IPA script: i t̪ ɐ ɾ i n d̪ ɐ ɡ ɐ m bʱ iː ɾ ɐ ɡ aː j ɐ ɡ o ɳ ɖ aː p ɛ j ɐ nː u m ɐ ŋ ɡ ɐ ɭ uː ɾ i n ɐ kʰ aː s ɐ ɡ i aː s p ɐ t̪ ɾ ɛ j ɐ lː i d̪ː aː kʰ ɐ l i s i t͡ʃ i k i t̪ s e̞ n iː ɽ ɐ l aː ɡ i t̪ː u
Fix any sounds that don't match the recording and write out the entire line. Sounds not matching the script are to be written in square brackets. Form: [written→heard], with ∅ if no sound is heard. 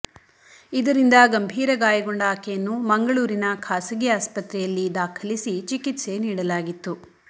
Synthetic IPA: i [t̪→d̪] ɐ ɾ i n d̪ ɐ ɡ ɐ m bʱ iː ɾ ɐ ɡ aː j ɐ ɡ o ɳ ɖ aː [p→k] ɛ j ɐ nː u m ɐ ŋ ɡ ɐ ɭ uː ɾ i n ɐ kʰ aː s ɐ ɡ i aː s p ɐ t̪ ɾ ɛ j ɐ lː i [d̪ː→d̪] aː kʰ ɐ l i s i t͡ʃ i k i t̪ s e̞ n iː ɽ ɐ l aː ɡ i t̪ː u

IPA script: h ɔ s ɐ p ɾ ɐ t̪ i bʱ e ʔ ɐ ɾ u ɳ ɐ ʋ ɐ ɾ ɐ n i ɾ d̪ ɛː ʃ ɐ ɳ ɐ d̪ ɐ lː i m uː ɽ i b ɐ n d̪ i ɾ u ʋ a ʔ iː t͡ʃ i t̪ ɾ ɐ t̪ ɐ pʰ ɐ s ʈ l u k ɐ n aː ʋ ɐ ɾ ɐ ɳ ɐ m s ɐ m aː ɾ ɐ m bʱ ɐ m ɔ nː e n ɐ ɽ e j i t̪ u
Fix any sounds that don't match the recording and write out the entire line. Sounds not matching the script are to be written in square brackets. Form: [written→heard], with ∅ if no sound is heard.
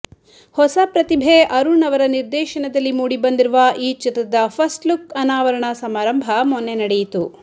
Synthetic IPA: h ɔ s ɐ p ɾ ɐ t̪ i bʱ e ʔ ɐ ɾ u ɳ ɐ ʋ ɐ ɾ ɐ n i ɾ d̪ ɛː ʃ ɐ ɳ ɐ d̪ ɐ lː i m uː ɽ i b ɐ n d̪ i ɾ u ʋ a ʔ iː t͡ʃ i t̪ ɾ ɐ [t̪→d̪] ɐ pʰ ɐ s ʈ l u k ɐ n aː ʋ ɐ ɾ ɐ ɳ ɐ [m→∅] s ɐ m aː ɾ ɐ m bʱ ɐ m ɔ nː e n ɐ ɽ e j i t̪ u

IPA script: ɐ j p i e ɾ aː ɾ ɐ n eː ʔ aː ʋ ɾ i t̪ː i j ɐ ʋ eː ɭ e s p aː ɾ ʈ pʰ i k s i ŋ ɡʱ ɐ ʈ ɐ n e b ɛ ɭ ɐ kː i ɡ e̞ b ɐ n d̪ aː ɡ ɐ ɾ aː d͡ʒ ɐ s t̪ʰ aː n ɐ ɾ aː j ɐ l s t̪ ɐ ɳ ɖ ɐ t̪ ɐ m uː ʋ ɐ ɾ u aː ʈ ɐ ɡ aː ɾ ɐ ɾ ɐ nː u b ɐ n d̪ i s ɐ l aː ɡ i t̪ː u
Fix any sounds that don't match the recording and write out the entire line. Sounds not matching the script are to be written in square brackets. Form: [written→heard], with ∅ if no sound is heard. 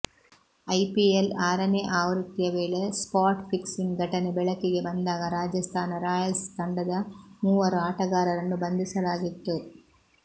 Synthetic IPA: ɐ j p i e [ɾ→l] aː ɾ ɐ n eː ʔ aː ʋ ɾ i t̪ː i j ɐ ʋ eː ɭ e s p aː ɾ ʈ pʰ i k s i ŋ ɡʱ ɐ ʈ ɐ n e b ɛ ɭ ɐ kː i ɡ e̞ b ɐ n d̪ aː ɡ ɐ ɾ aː d͡ʒ ɐ s t̪ʰ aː n ɐ ɾ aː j ɐ l s t̪ ɐ ɳ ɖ ɐ [t̪→d̪] ɐ m uː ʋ ɐ ɾ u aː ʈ ɐ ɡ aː ɾ ɐ ɾ ɐ nː u b ɐ n d̪ i s ɐ l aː ɡ i t̪ː u

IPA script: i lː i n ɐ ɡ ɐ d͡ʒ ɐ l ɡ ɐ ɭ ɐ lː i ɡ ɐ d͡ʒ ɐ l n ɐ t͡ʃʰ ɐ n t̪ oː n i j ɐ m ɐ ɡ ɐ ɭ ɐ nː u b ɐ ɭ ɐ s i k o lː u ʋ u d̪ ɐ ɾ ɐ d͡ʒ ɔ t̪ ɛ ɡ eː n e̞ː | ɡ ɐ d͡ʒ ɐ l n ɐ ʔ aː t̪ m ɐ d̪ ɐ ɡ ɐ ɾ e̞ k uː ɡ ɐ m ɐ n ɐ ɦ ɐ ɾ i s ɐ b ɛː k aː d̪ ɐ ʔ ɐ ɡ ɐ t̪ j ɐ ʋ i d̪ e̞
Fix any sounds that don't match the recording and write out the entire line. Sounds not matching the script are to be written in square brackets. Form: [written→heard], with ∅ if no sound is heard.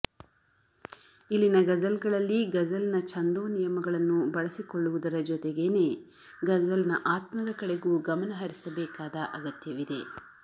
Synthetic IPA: i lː i n ɐ ɡ ɐ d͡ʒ ɐ l ɡ ɐ ɭ ɐ lː i ɡ ɐ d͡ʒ ɐ l n ɐ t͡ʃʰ ɐ n [t̪→d̪] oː n i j ɐ m ɐ ɡ ɐ ɭ ɐ nː u b ɐ ɭ ɐ s i k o [lː→ɭː] u ʋ u d̪ ɐ ɾ ɐ d͡ʒ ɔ t̪ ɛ ɡ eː n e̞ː | ɡ ɐ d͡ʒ ɐ l n ɐ ʔ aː t̪ m ɐ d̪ ɐ [ɡ→k] ɐ [ɾ→ɽ] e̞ [k→ɡ] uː ɡ ɐ m ɐ n ɐ ɦ ɐ ɾ i s ɐ b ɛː k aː d̪ ɐ ʔ ɐ ɡ ɐ t̪ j ɐ ʋ i d̪ e̞

